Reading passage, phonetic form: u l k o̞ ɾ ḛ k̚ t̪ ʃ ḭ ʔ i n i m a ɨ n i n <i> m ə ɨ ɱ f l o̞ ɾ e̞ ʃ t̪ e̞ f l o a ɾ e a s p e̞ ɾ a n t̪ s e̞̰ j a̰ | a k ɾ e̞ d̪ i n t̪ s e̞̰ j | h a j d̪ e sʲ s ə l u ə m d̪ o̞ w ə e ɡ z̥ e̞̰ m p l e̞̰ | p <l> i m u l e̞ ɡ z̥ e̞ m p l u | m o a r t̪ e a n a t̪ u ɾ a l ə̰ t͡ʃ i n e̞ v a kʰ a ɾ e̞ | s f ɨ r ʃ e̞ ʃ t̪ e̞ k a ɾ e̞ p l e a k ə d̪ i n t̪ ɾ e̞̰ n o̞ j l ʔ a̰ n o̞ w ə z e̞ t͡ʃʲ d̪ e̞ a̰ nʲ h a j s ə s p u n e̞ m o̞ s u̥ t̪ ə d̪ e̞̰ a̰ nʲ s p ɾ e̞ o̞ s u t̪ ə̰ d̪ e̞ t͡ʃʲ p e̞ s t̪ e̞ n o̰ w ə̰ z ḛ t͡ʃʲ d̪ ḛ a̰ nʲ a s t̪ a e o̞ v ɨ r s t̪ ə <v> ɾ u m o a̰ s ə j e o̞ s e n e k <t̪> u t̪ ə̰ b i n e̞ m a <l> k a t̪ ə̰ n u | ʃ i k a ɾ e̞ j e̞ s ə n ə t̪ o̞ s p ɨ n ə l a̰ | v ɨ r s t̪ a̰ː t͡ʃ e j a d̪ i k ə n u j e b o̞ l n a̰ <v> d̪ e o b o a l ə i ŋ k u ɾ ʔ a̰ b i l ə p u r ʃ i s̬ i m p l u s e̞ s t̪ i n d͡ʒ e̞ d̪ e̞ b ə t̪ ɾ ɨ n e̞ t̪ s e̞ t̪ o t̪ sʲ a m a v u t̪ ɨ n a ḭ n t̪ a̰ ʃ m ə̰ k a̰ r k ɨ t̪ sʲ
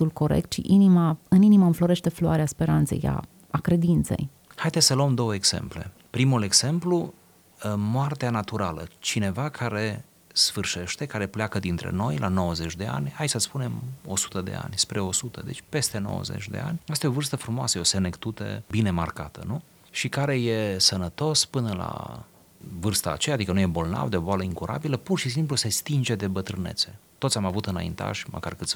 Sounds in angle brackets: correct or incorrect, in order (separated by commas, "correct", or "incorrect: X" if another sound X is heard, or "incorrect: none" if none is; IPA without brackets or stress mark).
correct, incorrect: ɾ, incorrect: f, correct, incorrect: r, correct